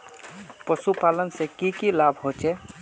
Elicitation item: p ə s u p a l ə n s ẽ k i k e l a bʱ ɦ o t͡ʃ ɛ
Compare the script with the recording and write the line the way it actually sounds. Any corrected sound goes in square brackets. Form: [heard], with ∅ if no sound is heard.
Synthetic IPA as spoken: p ə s u p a l ə n s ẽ k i k [i] l a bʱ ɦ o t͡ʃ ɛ